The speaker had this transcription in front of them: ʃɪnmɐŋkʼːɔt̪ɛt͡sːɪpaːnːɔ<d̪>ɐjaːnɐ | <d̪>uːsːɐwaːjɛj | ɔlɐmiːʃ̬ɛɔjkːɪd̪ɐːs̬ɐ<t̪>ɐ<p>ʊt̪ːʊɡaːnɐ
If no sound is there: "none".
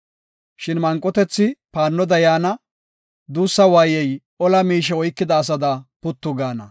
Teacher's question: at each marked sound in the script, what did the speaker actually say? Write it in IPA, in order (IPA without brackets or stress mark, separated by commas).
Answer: d̪, d̪, d̪, p